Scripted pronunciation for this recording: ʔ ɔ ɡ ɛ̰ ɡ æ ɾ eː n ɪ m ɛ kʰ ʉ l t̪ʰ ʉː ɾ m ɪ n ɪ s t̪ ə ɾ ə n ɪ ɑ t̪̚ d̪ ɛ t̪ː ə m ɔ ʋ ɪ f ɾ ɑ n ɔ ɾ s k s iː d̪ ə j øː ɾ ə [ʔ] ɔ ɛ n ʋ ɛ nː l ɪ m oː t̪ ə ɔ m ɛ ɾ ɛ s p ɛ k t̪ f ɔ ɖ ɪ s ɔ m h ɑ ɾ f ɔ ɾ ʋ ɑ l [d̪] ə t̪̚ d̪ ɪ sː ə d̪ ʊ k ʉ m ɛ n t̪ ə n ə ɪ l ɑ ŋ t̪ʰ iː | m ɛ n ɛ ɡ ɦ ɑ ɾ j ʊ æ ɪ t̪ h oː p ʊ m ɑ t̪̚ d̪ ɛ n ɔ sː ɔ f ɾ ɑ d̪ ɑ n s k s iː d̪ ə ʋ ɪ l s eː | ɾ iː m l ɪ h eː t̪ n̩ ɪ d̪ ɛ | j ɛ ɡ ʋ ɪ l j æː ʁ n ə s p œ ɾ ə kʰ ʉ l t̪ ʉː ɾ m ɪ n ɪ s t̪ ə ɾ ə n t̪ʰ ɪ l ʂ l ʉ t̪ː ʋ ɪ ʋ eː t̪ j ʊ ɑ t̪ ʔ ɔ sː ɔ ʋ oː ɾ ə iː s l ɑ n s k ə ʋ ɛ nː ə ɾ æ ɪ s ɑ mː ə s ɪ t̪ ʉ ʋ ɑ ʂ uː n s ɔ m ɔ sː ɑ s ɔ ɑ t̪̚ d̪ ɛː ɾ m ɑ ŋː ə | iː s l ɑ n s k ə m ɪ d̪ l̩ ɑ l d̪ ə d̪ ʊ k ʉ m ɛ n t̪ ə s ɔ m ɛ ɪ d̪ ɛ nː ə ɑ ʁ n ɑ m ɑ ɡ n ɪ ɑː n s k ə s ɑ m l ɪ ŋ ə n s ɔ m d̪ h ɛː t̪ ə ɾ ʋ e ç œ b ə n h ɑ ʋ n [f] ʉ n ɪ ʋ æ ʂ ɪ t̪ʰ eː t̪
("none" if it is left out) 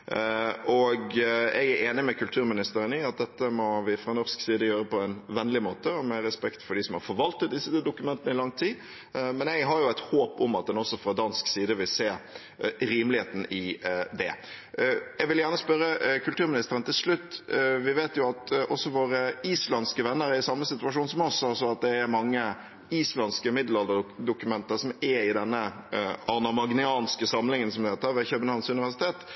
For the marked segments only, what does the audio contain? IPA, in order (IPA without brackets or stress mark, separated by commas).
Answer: p, t̪, s